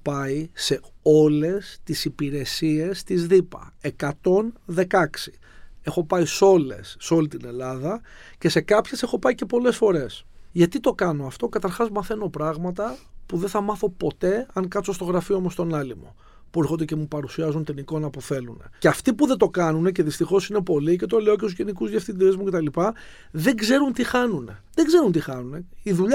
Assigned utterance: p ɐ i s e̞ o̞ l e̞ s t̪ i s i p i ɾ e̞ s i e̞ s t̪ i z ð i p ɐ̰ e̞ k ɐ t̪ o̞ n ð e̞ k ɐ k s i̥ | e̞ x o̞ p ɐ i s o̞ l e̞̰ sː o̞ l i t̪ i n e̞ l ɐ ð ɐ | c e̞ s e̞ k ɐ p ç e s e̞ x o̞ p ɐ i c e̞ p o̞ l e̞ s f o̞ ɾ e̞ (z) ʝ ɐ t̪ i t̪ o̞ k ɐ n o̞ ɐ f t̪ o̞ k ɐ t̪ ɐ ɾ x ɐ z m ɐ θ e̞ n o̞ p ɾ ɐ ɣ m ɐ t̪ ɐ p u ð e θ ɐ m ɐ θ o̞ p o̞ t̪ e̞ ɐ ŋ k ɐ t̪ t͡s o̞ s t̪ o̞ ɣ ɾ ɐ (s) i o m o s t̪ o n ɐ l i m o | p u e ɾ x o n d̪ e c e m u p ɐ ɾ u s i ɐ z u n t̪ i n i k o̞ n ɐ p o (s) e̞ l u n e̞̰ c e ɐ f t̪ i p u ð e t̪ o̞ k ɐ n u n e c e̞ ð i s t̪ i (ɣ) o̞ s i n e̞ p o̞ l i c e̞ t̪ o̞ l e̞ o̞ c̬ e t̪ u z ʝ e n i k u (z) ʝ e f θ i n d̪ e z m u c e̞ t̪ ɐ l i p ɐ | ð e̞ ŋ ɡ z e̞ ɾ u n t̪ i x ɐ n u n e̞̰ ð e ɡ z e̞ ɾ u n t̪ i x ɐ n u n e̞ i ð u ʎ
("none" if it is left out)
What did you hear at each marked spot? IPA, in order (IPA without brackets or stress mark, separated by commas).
s, f, θ, x, z